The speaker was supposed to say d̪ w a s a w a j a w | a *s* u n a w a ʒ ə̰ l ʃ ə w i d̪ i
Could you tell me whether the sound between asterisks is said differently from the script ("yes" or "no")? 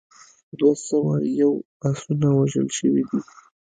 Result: no